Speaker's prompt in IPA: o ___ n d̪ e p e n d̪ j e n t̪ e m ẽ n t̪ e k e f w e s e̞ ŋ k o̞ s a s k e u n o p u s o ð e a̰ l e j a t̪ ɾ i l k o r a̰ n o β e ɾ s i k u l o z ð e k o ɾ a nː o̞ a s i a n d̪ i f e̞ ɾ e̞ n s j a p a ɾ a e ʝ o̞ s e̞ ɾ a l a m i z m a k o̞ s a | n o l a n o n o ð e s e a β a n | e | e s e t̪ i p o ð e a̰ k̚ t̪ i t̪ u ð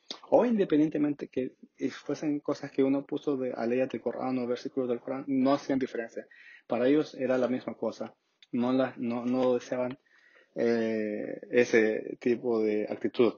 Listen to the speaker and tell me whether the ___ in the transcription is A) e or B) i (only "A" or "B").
B